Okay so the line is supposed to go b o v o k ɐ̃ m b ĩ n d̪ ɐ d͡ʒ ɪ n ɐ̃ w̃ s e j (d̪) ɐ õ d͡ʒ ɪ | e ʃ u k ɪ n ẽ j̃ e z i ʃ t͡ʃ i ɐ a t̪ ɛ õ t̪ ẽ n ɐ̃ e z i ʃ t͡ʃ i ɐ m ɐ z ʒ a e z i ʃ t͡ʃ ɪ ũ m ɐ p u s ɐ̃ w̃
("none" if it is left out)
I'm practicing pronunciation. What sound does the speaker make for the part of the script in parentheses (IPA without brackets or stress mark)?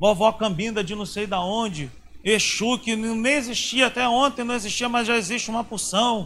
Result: d̪